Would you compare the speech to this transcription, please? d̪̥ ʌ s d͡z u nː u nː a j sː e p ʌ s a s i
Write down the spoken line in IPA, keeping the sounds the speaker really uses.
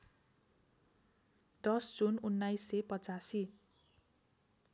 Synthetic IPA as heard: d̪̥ ʌ s d͡z u n u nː a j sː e p ʌ t͡s a s i